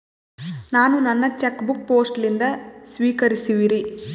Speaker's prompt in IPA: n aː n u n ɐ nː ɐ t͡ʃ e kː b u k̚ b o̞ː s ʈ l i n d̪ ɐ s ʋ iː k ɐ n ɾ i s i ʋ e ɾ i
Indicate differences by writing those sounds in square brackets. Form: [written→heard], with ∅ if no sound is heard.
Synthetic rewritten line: n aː n u n ɐ nː ɐ t͡ʃ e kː b u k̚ [b→p] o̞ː s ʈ l i n d̪ ɐ s ʋ iː k ɐ [n→∅] ɾ i s i ʋ [e→i] ɾ i